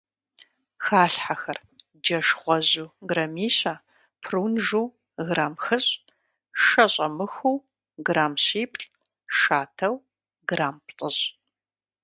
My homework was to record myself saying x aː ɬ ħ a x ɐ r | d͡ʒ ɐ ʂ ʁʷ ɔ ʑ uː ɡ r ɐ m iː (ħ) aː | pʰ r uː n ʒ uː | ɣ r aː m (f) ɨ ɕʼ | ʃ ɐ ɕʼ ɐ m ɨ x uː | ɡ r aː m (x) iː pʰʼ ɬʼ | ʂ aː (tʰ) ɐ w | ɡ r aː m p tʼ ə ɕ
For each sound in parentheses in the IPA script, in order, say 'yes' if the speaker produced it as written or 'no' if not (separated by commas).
no, no, no, yes